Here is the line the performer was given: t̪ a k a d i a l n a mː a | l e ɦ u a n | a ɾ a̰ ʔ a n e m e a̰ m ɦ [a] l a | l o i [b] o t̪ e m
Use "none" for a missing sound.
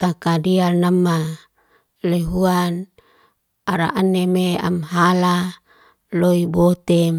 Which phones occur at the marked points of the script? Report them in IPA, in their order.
a, b

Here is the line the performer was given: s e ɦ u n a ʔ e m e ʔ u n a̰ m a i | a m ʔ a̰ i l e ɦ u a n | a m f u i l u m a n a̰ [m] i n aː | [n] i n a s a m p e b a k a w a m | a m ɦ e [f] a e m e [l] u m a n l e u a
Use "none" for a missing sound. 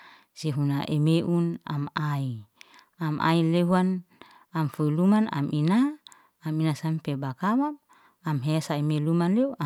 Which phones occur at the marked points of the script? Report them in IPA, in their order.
m, m, s, l

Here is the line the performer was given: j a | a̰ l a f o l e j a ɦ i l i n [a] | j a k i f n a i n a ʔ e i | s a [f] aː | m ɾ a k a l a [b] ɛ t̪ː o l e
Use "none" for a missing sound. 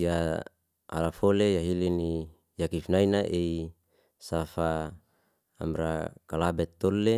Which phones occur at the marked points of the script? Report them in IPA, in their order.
i, f, b

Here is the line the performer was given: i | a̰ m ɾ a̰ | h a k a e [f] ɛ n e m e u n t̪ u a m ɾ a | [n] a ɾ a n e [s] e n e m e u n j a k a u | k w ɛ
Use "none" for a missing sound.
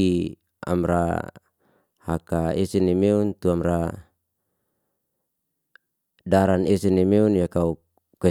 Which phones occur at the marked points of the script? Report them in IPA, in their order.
s, d, s

